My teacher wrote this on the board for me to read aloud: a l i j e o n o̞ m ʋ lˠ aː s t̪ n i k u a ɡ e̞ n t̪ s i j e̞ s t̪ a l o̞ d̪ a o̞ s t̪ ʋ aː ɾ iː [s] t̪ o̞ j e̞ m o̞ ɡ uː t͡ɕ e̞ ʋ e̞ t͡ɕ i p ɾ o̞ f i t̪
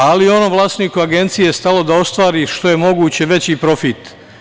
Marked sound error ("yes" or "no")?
yes